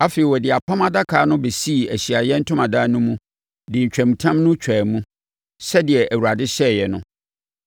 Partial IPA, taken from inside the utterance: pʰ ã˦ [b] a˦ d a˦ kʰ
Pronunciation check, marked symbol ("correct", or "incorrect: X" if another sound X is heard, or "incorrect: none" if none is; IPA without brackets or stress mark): incorrect: m